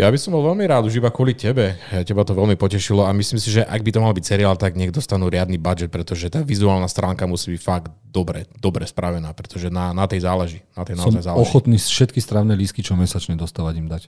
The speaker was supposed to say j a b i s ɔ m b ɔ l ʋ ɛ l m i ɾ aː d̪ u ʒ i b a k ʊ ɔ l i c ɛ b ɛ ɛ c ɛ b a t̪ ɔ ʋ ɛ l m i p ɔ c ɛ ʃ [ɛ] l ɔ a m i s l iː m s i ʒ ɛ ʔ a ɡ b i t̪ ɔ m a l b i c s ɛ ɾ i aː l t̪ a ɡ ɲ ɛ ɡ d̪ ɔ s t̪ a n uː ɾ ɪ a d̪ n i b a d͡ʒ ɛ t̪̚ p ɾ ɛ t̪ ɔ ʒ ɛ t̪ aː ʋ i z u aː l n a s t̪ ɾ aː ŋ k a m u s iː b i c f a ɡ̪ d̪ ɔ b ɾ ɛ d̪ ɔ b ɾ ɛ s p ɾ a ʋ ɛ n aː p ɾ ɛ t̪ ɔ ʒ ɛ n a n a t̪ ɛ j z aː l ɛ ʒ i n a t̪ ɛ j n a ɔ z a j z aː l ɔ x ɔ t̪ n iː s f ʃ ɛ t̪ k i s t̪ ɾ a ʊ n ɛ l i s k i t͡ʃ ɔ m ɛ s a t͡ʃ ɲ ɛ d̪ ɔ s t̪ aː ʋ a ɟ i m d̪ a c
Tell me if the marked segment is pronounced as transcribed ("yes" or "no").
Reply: no